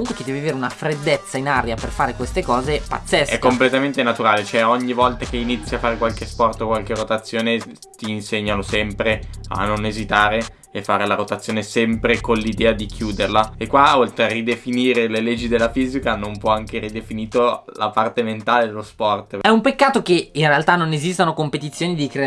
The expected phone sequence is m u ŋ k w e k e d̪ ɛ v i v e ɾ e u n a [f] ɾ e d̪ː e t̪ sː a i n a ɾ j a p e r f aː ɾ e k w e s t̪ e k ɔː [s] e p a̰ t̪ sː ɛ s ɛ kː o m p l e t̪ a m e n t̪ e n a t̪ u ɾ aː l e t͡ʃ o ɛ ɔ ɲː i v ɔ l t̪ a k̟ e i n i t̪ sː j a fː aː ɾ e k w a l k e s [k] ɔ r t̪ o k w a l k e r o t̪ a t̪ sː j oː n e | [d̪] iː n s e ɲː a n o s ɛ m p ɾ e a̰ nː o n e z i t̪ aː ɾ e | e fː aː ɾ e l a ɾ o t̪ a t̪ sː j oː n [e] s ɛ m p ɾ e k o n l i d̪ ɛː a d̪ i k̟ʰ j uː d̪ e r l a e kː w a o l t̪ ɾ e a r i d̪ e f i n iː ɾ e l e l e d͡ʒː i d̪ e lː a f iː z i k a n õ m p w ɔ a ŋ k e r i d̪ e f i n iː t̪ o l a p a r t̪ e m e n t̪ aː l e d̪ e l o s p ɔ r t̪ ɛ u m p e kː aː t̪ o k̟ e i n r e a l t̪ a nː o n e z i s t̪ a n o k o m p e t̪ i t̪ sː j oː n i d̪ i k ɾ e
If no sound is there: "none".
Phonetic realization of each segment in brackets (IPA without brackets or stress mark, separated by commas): f, z, p, t̪, e